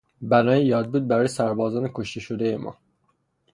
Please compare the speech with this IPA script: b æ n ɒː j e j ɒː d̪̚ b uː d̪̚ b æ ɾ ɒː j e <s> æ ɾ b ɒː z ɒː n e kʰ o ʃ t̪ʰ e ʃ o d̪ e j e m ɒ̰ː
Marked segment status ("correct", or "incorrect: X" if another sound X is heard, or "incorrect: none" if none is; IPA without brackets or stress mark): correct